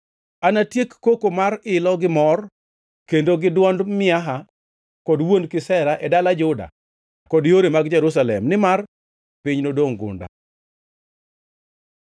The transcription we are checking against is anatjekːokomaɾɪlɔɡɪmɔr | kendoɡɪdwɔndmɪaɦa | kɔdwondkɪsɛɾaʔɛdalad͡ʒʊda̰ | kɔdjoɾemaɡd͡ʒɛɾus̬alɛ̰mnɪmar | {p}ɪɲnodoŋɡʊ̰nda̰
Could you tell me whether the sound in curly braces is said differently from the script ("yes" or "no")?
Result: no